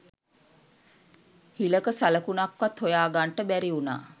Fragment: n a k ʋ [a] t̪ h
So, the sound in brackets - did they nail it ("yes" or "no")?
yes